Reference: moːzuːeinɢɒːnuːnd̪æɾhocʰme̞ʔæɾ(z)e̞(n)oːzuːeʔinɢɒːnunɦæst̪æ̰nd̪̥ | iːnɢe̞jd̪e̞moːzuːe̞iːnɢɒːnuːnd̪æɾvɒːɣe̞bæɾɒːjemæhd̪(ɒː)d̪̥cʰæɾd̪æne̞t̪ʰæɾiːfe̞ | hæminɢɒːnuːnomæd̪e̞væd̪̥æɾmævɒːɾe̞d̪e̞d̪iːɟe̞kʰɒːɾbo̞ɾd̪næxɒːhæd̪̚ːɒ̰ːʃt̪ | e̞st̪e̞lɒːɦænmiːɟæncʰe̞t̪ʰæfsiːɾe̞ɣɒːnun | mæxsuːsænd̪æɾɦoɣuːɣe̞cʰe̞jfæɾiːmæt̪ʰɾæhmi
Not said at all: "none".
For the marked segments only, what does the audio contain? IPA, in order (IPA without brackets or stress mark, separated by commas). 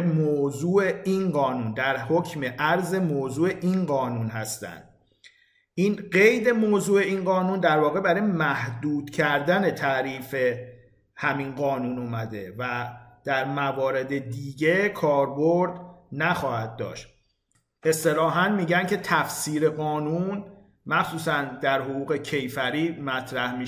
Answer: z, m, uː